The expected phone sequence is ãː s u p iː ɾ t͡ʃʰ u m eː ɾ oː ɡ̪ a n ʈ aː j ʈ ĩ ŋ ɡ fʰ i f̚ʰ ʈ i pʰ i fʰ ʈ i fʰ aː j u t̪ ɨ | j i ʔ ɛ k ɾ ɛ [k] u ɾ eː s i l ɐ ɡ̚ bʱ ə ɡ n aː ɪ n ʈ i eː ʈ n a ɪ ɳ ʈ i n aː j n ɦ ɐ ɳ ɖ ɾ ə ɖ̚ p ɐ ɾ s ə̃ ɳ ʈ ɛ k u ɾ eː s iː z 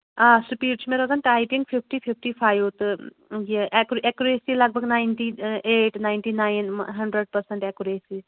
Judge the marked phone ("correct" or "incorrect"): correct